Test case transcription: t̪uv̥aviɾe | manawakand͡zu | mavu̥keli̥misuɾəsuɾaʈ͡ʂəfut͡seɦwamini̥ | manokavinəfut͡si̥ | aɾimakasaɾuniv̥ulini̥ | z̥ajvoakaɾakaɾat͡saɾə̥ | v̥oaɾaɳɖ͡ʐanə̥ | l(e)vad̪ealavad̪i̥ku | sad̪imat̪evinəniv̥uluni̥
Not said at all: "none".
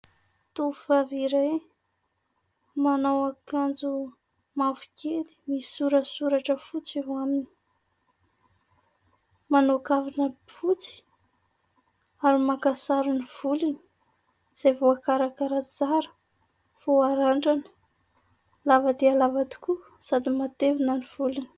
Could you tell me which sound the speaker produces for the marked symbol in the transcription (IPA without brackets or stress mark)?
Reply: a